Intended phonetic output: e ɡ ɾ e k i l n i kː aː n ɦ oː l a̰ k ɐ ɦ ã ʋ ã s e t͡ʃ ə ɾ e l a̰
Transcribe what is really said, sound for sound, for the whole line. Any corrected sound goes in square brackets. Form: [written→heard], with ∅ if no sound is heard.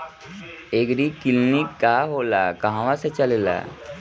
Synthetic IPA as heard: e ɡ ɾ [e→i] k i l n i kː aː [n→∅] ɦ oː l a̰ k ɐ ɦ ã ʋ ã s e t͡ʃ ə [ɾ→l] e l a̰